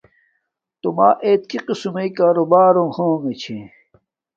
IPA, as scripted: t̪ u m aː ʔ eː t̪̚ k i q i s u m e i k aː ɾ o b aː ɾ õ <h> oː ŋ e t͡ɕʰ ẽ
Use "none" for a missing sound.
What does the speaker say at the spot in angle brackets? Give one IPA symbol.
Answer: h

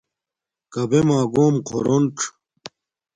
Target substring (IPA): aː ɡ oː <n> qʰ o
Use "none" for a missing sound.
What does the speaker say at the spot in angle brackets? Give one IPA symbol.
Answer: m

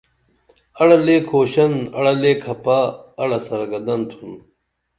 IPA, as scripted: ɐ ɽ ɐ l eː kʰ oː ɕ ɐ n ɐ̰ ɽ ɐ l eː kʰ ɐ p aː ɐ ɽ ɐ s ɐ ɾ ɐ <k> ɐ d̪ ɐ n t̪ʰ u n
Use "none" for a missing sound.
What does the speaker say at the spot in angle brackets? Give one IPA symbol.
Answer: ɡ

